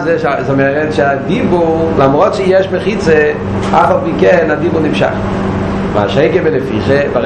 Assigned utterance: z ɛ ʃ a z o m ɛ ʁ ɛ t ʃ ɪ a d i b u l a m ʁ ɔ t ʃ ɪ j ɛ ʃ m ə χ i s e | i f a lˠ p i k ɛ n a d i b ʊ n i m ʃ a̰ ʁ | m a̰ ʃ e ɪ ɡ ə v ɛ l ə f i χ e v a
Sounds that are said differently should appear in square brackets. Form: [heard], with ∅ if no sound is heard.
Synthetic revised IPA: z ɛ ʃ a z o m ɛ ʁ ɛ t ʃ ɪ a d i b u l a m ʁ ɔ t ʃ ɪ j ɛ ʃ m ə χ i [t͡s] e | [a] f a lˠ p i k ɛ n a d i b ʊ n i m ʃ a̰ [χ] | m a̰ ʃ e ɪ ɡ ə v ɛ l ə f i χ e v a